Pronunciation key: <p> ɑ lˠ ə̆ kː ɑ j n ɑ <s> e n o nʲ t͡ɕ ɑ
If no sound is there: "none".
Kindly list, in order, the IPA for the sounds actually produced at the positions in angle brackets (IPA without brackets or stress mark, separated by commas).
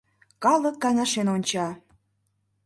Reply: k, ʃ